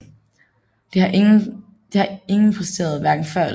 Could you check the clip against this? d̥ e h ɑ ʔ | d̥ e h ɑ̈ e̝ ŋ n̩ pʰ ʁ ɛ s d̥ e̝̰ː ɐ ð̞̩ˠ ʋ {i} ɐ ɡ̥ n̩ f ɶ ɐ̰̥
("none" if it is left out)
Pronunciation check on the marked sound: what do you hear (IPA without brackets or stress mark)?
æ